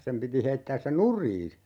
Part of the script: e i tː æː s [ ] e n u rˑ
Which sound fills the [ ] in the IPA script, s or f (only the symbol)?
s